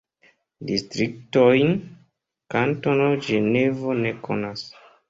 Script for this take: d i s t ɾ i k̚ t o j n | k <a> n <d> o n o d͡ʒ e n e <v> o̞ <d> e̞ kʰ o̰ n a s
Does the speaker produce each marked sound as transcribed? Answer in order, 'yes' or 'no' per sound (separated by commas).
yes, no, yes, no